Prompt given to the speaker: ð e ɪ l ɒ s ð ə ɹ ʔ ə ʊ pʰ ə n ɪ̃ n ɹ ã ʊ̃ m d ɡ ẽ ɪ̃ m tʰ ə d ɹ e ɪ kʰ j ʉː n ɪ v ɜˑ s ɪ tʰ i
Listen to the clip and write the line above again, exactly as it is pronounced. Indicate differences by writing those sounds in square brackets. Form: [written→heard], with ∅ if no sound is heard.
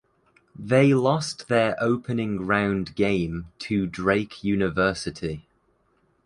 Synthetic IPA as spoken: ð e ɪ l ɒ s ð ə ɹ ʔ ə ʊ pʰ ə n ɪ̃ [n→ŋ] ɹ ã ʊ̃ [m→n] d ɡ ẽ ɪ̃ m tʰ ə d ɹ e ɪ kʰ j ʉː n ɪ v ɜˑ s ɪ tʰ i